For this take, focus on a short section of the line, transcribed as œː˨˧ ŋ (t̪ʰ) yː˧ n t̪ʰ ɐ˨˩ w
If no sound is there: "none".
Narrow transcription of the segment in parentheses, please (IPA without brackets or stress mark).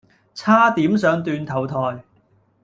t̪